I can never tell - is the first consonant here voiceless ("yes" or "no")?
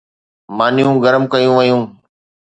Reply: no